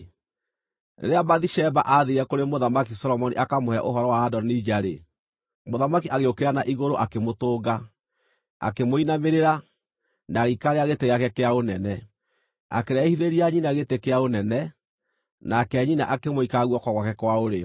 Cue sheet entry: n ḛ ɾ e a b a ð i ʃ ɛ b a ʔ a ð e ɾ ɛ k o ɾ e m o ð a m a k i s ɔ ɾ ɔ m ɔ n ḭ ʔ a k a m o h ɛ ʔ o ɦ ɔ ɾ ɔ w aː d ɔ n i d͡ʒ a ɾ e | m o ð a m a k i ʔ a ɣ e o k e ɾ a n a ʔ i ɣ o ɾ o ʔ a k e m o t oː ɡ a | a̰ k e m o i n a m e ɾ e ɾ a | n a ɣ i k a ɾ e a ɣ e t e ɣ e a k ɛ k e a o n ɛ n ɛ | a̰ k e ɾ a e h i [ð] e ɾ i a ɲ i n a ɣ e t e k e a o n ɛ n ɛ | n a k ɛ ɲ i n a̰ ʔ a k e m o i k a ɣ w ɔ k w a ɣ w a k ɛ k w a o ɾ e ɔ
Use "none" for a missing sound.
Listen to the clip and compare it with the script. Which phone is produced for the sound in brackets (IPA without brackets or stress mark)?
ð